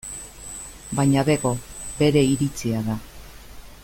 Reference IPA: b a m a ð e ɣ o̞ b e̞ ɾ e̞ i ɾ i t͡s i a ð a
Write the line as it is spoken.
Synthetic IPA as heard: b a ɲ a ð e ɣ o̞ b e̞ ɾ e̞ i ɾ i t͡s i a ð a